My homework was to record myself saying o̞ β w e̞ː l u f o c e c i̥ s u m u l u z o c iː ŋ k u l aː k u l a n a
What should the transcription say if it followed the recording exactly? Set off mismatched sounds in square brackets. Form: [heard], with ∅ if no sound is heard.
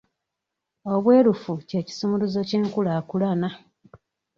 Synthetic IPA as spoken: o̞ β w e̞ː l u f [u] c e c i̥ s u m u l u z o c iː ŋ k u l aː k u l a n a